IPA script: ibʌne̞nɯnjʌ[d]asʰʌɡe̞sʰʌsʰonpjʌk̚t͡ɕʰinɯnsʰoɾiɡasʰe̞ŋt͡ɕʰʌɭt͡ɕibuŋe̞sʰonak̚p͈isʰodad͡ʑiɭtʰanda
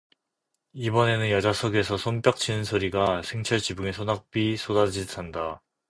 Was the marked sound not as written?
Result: yes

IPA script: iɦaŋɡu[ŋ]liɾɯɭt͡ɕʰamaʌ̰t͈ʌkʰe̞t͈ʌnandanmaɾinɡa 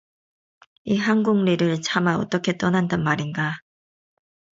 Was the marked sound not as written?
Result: no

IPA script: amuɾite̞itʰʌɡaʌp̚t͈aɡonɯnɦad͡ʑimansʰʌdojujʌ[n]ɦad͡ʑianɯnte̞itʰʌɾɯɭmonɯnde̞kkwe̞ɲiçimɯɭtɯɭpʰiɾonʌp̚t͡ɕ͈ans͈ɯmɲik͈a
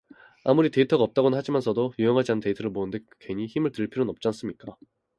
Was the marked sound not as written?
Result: yes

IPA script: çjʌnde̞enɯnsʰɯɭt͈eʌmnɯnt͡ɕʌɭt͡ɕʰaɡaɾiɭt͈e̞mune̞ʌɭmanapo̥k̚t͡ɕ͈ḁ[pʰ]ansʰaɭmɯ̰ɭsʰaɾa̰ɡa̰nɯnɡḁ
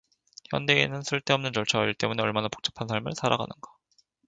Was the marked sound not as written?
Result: no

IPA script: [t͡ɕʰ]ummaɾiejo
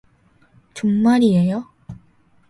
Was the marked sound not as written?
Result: yes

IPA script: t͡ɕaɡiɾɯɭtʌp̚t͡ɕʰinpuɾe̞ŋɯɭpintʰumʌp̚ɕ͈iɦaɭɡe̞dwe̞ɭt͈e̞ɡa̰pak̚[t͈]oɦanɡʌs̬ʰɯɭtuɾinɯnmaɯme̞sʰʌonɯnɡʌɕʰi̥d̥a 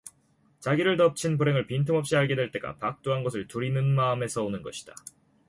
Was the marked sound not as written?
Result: no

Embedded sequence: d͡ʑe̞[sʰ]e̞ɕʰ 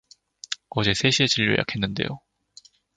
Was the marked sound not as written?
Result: no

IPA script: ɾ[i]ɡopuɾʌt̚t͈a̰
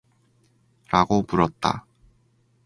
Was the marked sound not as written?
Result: yes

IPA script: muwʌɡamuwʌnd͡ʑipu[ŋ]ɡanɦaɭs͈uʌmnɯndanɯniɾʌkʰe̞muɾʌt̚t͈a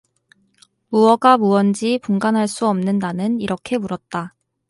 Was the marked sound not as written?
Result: no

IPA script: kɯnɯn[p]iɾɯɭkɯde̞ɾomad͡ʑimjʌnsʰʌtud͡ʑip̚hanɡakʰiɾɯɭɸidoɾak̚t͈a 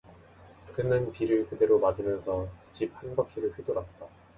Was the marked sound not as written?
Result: no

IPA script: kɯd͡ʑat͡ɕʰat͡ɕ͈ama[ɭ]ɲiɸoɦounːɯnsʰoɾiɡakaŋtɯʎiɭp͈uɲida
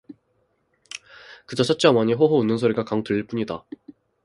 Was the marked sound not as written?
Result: yes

